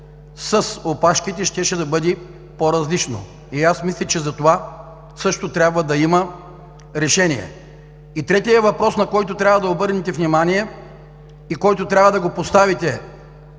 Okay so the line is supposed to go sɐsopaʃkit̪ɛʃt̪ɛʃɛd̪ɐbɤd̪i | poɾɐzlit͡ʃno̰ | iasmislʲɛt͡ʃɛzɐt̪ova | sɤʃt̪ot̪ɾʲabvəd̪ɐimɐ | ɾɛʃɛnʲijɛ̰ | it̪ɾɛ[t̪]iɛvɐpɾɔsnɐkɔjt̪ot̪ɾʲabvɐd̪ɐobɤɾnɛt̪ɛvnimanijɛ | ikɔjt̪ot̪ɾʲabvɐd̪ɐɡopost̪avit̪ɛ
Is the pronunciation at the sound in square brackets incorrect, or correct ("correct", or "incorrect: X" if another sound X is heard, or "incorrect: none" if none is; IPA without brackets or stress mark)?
correct